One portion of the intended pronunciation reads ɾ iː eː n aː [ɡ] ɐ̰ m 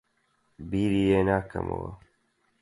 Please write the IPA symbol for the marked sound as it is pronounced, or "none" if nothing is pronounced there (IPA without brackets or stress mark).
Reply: k